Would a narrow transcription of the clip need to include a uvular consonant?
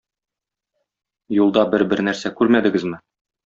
no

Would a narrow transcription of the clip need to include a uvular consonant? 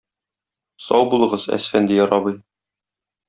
yes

